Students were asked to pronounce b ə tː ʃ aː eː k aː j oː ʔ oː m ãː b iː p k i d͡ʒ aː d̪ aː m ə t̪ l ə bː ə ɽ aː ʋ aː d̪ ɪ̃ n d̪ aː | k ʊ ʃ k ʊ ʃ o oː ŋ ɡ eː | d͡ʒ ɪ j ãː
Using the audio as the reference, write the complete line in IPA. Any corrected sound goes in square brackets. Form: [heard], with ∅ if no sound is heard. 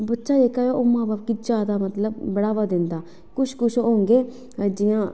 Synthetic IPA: b ə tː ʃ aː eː k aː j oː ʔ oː m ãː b [aː] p k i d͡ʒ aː d̪ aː m ə t̪ l ə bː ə ɽ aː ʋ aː d̪ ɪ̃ n d̪ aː | k ʊ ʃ k ʊ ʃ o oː ŋ ɡ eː | d͡ʒ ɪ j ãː

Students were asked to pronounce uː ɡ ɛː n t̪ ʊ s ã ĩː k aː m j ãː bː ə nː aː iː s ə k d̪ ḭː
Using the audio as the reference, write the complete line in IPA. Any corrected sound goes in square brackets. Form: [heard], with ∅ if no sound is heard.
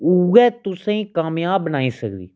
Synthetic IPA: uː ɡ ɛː [∅] t̪ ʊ s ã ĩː k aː m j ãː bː ə [n] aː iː s ə k d̪ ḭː

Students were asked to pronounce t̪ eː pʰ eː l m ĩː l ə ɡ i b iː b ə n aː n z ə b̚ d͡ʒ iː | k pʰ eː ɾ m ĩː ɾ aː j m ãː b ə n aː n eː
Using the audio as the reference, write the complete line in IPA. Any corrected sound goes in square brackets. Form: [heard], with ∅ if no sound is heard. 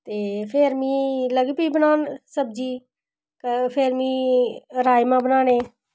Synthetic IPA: t̪ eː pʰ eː [ɾ] m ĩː l ə ɡ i [p] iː b ə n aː n [s] ə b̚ d͡ʒ iː | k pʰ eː ɾ m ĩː ɾ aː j m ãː b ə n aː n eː

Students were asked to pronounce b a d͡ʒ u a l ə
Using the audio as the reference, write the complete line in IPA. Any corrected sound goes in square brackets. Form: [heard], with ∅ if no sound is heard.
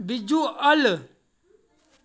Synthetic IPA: b [i] d͡ʒ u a l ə

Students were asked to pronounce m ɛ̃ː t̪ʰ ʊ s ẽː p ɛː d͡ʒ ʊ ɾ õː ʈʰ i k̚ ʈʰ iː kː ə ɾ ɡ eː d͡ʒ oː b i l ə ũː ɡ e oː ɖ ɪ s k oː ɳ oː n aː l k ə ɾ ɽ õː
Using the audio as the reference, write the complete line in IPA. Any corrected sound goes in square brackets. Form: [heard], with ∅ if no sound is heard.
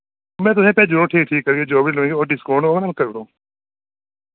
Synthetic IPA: m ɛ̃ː [t̪] ʊ s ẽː p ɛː d͡ʒ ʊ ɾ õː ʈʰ [iː] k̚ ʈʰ iː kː ə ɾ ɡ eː d͡ʒ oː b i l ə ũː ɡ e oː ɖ ɪ s k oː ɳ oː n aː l k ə ɾ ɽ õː

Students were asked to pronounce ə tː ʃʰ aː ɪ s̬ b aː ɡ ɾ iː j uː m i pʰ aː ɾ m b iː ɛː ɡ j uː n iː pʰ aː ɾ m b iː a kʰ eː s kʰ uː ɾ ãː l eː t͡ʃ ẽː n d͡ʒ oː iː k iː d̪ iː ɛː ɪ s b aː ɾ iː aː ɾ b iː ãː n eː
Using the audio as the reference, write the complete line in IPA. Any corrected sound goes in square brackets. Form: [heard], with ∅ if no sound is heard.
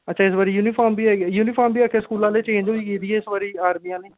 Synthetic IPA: ə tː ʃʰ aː ɪ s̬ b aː [∅] ɾ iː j uː [n] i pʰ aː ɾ m b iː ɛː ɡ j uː n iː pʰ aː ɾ m b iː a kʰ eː s [k] uː [l] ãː l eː t͡ʃ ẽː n d͡ʒ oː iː k iː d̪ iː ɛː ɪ s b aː ɾ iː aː ɾ [m] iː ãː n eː

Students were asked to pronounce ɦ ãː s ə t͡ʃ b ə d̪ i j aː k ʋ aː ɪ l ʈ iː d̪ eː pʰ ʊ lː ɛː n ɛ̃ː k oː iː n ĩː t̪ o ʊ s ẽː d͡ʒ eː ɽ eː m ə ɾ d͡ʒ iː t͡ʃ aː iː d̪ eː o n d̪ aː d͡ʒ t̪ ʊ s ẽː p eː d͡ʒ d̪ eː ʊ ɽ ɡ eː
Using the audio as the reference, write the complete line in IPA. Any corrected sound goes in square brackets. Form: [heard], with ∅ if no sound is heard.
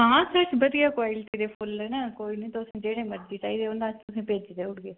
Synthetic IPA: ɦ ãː s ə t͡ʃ b ə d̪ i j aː k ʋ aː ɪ l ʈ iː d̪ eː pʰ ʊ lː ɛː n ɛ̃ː k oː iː n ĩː t̪ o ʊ s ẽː d͡ʒ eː ɽ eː m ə ɾ d͡ʒ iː t͡ʃ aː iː d̪ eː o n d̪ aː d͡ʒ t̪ ʊ s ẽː p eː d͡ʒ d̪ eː ʊ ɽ ɡ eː

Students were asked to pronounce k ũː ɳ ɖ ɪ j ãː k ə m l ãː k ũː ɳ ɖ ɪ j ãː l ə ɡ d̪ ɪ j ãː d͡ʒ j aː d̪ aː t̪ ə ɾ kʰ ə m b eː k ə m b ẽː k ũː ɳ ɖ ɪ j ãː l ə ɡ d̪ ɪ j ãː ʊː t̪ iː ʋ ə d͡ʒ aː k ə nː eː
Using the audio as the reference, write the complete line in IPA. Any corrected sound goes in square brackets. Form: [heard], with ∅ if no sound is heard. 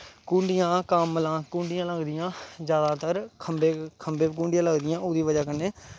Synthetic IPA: k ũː ɳ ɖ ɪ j ãː k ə m l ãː k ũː ɳ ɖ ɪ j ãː l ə ɡ d̪ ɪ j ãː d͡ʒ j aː d̪ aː t̪ ə ɾ kʰ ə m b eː [kʰ] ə m b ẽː k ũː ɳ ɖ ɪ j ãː l ə ɡ d̪ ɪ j ãː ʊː [d̪] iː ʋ ə d͡ʒ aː k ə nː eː

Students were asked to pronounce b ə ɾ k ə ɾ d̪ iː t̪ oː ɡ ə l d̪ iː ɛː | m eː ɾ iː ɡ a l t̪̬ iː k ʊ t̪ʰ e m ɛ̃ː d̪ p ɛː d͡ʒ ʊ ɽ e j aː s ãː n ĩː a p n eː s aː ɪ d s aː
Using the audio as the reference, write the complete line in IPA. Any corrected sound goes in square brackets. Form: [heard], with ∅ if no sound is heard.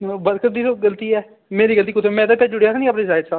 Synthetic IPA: b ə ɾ k ə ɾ d̪ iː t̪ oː ɡ ə l [t̪] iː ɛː | m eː ɾ iː ɡ [ə] l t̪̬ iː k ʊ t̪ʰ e m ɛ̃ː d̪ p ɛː d͡ʒ ʊ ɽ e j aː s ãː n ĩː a p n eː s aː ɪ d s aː

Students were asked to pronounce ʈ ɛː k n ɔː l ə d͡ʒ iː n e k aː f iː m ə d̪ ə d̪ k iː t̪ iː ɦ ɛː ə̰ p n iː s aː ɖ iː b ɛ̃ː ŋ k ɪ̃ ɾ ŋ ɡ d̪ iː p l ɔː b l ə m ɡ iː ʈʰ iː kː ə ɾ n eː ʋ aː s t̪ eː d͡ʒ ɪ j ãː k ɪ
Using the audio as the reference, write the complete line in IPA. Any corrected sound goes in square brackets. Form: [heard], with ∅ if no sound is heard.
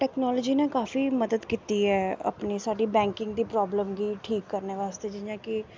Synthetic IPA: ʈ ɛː k n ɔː l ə d͡ʒ iː n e k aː f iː m ə d̪ ə d̪ k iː t̪ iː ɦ ɛː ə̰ p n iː s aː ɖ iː b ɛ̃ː ŋ k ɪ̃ [∅] ŋ ɡ d̪ iː p [ɾ] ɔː b l ə m ɡ iː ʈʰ iː kː ə ɾ n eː ʋ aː s t̪ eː d͡ʒ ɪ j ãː k ɪ

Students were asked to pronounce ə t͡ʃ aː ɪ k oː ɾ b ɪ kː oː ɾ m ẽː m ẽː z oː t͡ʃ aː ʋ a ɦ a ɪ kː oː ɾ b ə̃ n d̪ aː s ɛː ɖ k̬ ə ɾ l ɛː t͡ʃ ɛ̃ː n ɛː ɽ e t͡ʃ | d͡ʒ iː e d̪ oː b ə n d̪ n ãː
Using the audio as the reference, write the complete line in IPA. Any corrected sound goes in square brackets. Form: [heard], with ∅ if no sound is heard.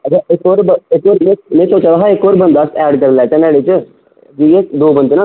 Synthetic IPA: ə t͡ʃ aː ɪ k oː ɾ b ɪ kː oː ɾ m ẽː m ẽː [s] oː t͡ʃ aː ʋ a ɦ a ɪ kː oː ɾ b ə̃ n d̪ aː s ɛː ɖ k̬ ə ɾ l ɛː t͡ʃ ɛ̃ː n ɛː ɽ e t͡ʃ | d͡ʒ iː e d̪ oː b ə n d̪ n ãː

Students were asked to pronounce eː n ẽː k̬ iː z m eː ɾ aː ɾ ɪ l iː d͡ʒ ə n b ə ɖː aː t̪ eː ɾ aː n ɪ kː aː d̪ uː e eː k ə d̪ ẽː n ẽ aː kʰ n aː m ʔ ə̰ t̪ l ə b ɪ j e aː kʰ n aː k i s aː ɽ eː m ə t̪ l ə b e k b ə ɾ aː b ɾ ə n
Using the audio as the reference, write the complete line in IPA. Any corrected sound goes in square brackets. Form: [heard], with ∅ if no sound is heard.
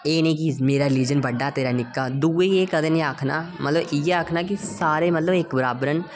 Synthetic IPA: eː n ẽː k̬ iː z m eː ɾ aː ɾ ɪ l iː d͡ʒ ə n b ə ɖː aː t̪ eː ɾ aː n ɪ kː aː d̪ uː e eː k ə d̪ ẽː n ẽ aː kʰ n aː m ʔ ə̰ t̪ l ə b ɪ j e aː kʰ n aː k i s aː [ɾ] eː m ə t̪ l ə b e k b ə ɾ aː b ɾ ə n

